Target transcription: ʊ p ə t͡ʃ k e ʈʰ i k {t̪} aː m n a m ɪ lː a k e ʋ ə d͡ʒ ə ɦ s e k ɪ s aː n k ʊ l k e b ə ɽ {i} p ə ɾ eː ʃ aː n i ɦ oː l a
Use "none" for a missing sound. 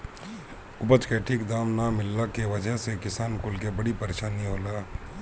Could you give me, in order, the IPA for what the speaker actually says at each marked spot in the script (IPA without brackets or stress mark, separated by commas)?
d̪, i